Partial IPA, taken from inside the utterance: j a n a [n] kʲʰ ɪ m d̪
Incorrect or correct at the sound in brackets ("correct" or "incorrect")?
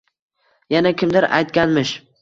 incorrect